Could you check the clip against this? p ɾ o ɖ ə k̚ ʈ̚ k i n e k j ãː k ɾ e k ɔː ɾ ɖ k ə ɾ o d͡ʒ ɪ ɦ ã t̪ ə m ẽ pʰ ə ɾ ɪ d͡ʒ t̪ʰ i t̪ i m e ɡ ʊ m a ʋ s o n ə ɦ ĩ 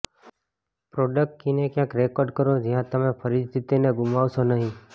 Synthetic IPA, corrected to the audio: p ɾ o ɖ ə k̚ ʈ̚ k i n e k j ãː k ɾ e k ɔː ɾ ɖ k ə ɾ o d͡ʒ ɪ ɦ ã t̪ ə m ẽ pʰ ə ɾ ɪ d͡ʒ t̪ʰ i t̪ i n e ɡ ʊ m a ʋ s o n ə ɦ ĩ